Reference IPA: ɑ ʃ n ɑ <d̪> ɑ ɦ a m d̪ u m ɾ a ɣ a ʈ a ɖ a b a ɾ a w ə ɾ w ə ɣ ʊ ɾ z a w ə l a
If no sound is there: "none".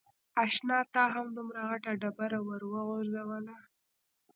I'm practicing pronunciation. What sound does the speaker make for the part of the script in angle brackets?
t̪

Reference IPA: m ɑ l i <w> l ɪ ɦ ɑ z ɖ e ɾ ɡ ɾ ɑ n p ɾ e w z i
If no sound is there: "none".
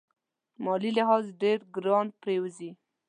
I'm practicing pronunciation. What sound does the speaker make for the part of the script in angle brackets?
none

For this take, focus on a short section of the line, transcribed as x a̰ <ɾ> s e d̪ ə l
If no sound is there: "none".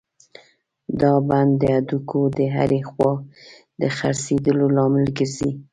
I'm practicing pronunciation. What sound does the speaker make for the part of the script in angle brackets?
ɾ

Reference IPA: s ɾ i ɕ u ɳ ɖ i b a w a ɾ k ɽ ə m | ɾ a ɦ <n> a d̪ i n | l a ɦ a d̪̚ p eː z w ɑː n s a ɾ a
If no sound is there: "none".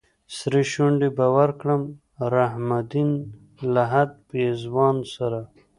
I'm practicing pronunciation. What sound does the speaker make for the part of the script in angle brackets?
m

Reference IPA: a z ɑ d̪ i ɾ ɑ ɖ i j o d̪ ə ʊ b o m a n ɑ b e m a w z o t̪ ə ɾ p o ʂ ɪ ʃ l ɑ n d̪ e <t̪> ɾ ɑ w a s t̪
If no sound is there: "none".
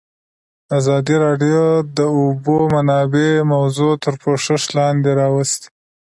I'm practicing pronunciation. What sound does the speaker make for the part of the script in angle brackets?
none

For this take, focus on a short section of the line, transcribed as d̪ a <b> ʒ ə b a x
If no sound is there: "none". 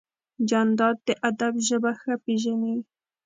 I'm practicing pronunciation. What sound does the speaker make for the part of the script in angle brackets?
b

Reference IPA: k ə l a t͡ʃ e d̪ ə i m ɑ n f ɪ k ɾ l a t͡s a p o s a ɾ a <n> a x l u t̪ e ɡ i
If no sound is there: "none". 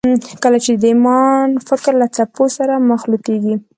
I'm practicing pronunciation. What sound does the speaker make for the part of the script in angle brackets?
m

